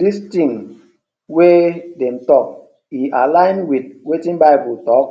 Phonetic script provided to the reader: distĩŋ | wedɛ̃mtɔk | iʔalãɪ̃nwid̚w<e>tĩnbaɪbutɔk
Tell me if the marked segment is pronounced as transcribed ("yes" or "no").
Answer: yes